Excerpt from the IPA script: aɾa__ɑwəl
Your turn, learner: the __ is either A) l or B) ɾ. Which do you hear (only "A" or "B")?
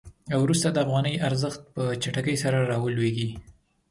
B